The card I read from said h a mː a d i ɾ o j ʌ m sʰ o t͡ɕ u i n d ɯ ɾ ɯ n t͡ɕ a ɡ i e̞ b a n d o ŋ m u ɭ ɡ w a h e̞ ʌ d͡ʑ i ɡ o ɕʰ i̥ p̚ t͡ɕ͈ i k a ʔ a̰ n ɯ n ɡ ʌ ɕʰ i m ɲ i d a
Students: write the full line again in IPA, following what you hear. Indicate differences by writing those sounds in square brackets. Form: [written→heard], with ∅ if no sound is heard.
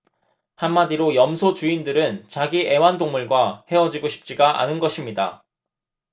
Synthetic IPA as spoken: h a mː a d i ɾ o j ʌ m sʰ o t͡ɕ u i n d ɯ ɾ ɯ n t͡ɕ a ɡ i e̞ [b→w] a n d o ŋ m u ɭ ɡ w a h e̞ ʌ d͡ʑ i ɡ o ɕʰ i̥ p̚ t͡ɕ͈ i [k→ɡ] a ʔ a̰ n ɯ n ɡ ʌ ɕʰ i m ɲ i d a